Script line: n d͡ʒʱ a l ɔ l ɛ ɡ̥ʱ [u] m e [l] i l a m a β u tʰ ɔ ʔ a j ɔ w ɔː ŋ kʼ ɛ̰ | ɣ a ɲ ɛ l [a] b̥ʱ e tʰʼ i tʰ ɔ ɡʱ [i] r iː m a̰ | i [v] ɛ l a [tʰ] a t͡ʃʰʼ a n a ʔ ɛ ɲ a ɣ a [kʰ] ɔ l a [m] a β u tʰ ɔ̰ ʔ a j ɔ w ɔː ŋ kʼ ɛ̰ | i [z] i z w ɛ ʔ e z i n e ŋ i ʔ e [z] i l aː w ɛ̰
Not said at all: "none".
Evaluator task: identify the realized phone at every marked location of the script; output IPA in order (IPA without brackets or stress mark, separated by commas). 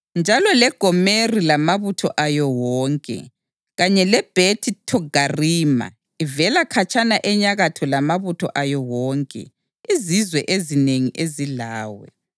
ɔ, r, ɛ, a, v, kʰ, tʰ, m, z, z